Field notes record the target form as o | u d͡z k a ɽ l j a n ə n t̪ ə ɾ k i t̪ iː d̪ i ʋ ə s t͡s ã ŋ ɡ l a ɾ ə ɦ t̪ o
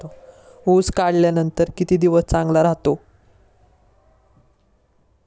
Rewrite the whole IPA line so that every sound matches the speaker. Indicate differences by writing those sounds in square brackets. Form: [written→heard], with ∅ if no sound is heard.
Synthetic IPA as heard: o | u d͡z k a ɽ l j a n ə n t̪ ə ɾ k i t̪ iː d̪ i ʋ ə s t͡s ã ŋ ɡ l a ɾ [ə→a] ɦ t̪ o